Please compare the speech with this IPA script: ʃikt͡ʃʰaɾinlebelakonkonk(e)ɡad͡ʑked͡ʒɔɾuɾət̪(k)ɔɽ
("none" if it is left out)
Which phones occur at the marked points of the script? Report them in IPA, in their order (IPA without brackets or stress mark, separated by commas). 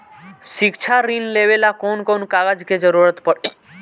a, p